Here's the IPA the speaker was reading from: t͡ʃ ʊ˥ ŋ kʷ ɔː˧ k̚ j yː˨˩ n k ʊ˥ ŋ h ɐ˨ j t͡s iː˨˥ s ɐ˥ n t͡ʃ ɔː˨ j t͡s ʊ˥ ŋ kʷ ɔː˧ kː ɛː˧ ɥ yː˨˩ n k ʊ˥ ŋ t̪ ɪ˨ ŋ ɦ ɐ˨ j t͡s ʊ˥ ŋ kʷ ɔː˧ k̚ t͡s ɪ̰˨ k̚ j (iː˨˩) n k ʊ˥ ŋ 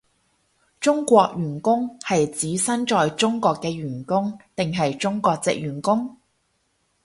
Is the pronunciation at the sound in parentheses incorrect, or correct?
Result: incorrect